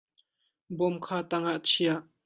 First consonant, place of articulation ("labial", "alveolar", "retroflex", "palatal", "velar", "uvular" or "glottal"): labial